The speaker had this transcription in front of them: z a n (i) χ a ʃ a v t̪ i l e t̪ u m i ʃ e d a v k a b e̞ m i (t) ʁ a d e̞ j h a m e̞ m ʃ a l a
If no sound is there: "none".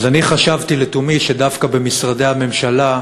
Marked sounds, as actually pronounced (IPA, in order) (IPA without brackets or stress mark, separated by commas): i, s